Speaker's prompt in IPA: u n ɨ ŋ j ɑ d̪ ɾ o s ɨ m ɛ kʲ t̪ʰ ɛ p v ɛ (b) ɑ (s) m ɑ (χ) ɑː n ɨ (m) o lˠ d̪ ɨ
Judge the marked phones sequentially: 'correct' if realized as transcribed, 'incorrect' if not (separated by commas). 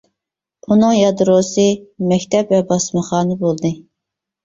correct, correct, correct, incorrect